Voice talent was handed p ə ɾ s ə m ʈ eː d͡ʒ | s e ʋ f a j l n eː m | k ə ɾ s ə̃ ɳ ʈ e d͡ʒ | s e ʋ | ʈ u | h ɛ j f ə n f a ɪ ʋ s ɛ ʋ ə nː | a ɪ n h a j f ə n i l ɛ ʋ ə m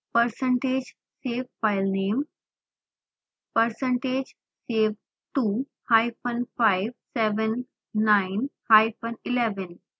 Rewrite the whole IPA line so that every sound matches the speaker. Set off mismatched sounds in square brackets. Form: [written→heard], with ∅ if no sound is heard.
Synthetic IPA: p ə ɾ s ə [m→ɳ] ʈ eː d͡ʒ | s e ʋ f a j l n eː m | [k→p] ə ɾ s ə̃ ɳ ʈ e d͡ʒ | s e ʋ | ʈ u | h [ɛ→a] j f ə n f a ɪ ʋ s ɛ ʋ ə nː | a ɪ n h a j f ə n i l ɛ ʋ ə [m→n]